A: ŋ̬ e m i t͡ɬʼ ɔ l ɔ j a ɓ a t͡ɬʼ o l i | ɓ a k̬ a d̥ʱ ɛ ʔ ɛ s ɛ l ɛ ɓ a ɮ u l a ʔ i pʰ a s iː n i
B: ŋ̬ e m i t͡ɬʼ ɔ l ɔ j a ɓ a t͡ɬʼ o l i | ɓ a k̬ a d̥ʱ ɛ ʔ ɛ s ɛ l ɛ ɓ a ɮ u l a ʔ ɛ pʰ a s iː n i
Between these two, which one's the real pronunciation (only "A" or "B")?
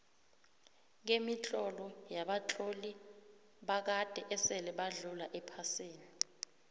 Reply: B